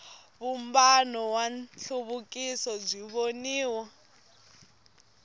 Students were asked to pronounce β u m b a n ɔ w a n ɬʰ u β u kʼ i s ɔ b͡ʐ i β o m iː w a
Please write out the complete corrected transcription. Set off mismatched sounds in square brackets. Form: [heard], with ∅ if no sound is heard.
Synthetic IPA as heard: β u m b a n ɔ w a n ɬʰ u β u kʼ i s ɔ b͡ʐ i β o [n] iː w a